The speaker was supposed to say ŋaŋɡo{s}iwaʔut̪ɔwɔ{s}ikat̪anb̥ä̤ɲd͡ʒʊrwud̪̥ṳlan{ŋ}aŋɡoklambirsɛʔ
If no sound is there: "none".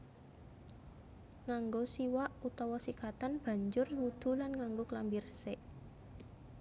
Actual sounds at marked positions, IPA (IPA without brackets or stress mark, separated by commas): s, s, ŋ